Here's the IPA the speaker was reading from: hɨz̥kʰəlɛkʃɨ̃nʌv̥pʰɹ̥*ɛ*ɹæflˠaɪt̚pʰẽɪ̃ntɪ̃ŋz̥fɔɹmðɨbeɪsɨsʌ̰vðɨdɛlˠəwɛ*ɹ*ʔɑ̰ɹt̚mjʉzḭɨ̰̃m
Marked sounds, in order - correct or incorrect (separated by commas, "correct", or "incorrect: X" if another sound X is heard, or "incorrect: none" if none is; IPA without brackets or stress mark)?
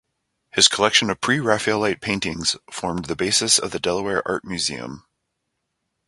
incorrect: i, correct